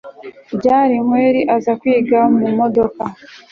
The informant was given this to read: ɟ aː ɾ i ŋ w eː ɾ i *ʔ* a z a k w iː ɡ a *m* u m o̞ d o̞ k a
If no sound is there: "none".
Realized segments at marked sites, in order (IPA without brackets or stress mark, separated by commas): ʔ, m